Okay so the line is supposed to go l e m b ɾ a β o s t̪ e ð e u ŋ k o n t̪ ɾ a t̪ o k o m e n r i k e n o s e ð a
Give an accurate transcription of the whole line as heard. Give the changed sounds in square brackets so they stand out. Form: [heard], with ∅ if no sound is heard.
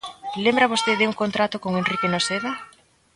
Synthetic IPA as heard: l e m b ɾ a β o s t̪ e ð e u ŋ k o n t̪ ɾ a t̪ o k o [ŋ] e n r i k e n o s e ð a